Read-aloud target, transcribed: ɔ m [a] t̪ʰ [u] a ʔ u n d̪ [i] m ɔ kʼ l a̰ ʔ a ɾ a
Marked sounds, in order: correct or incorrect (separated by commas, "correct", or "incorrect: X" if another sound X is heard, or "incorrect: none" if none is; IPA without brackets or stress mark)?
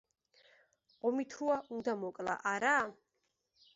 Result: incorrect: i, correct, incorrect: a